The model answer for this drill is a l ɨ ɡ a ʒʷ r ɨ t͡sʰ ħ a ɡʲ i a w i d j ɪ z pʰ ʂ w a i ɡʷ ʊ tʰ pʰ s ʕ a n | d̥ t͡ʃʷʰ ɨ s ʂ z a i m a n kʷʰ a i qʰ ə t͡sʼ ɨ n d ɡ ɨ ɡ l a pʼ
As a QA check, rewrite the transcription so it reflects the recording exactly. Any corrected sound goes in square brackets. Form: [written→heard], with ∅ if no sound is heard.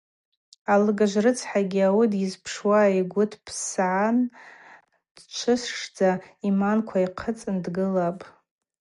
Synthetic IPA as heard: a l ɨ ɡ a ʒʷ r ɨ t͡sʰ ħ a ɡʲ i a w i d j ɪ z pʰ ʂ w a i ɡʷ ʊ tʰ pʰ s ʕ a n | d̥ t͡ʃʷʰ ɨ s ʂ [z→d͡z] a i m a n kʷʰ a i qʰ ə t͡sʼ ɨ n d ɡ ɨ [ɡ→∅] l a pʼ